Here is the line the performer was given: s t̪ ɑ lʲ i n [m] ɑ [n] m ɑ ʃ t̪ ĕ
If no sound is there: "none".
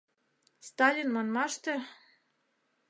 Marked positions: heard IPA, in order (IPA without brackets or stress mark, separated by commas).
m, n